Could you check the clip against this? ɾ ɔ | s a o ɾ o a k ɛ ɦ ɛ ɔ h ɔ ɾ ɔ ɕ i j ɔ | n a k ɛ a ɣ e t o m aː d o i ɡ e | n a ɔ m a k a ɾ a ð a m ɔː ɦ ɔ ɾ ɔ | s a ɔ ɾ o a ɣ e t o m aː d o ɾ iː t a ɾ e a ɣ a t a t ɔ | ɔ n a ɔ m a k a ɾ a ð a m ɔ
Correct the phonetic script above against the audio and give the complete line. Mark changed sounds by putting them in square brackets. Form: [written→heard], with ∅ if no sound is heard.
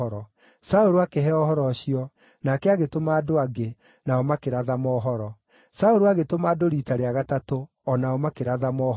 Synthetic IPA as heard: ɾ ɔ | s a o ɾ o a k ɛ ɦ ɛ ɔ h ɔ ɾ ɔ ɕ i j ɔ | n a k ɛ a ɣ e t o m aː d o [i→a] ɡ e | n a ɔ m a k [a→e] ɾ a ð a m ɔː ɦ ɔ ɾ ɔ | s a [ɔ→o] ɾ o a ɣ e t o m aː d o ɾ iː t a ɾ e a ɣ a t a t [ɔ→o] | ɔ n a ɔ m a k [a→e] ɾ a ð a m ɔ